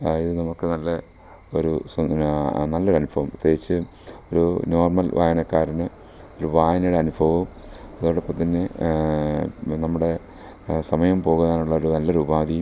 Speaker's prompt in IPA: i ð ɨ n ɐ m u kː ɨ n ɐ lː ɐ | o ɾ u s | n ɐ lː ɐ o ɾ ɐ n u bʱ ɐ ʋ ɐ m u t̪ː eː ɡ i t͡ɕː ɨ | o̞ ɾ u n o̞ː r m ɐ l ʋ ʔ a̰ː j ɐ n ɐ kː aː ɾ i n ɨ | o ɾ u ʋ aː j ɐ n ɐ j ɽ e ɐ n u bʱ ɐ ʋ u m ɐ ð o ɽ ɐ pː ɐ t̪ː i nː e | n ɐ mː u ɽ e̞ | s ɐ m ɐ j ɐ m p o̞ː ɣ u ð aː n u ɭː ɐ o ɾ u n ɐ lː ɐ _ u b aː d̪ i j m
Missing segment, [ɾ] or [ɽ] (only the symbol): ɾ